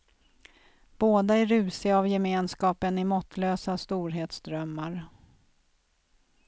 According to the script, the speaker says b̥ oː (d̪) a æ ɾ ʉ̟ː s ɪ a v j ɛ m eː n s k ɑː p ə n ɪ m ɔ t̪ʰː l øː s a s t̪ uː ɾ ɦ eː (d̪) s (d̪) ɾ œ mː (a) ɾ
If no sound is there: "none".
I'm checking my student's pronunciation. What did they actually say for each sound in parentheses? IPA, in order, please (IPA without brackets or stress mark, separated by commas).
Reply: d̪, t̪, d̪, a